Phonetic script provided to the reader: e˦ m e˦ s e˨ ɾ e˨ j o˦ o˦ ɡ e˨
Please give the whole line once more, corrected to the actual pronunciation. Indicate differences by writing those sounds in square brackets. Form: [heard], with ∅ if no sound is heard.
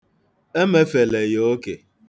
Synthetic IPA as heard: e˦ m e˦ [f] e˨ [l] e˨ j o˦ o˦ [k] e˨